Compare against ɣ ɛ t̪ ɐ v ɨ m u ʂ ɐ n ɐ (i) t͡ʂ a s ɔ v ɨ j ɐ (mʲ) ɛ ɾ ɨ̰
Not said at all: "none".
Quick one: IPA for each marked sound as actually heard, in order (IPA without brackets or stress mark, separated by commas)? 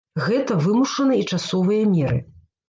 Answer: i, mʲ